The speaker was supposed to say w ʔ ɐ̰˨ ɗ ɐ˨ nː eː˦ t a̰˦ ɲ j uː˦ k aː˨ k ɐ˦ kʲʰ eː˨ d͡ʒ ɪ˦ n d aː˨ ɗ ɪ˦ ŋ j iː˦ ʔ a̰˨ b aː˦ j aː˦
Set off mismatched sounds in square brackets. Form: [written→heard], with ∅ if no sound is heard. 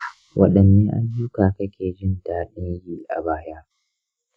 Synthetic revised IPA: w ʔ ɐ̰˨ ɗ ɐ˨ nː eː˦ [t→ʔ] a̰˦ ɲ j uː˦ k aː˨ k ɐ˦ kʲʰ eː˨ d͡ʒ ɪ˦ n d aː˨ ɗ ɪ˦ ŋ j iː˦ ʔ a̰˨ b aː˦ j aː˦